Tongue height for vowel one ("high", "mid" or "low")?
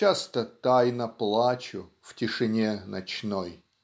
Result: low